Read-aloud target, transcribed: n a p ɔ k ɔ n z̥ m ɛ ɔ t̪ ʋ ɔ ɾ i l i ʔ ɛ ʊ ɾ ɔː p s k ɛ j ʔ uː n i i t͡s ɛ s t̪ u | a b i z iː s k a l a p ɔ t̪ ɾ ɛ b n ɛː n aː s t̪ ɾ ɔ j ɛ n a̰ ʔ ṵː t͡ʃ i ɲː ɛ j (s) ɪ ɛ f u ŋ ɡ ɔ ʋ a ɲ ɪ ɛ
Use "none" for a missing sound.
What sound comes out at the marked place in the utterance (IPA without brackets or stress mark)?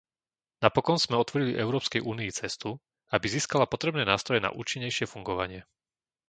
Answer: ʃ